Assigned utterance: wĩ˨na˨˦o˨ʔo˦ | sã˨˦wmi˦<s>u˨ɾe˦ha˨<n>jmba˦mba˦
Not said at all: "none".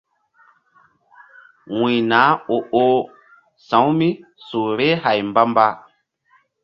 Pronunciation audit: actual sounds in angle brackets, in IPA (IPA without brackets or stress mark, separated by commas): s, none